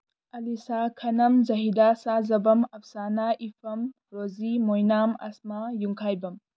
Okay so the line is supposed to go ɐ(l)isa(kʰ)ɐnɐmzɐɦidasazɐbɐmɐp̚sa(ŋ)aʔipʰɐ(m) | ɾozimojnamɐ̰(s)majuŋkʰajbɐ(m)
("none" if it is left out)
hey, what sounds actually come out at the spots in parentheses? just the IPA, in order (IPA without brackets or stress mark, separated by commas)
l, kʰ, n, m, s, m